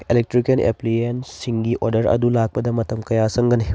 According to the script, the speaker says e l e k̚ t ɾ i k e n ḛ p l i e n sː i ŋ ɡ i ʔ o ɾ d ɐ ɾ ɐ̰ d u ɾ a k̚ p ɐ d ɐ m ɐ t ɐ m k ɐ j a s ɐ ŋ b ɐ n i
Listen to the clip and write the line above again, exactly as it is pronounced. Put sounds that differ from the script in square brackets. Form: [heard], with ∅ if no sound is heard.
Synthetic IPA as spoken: e l e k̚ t ɾ i k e n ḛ p l i e n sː i ŋ ɡ i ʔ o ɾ d ɐ ɾ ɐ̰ d u [l] a k̚ p ɐ d ɐ m ɐ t ɐ m k ɐ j a s ɐ ŋ [ɡ] ɐ n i